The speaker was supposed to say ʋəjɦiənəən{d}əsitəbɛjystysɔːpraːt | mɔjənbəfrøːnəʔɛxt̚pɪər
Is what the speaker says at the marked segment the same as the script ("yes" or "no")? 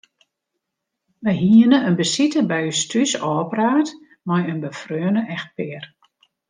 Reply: no